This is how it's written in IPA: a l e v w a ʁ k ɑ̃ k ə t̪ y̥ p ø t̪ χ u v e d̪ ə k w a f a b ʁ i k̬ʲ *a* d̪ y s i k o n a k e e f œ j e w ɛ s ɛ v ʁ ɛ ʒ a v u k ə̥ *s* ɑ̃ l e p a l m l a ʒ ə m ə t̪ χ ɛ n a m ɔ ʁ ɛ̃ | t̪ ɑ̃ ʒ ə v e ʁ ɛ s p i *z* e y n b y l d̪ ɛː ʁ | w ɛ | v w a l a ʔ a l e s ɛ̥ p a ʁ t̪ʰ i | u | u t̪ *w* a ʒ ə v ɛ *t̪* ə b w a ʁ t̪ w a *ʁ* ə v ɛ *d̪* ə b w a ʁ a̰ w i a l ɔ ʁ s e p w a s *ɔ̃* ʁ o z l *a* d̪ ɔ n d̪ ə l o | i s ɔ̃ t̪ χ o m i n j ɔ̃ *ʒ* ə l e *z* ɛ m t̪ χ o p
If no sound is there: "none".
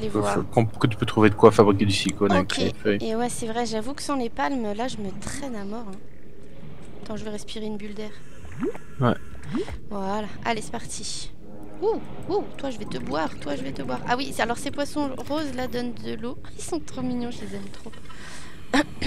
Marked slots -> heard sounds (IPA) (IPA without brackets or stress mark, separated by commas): e, s, ʁ, w, t̪, ʒ, t̪, ɔ̃, a, ʒ, z